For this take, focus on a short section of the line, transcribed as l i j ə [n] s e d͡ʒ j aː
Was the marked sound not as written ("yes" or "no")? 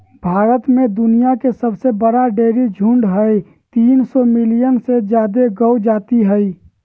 no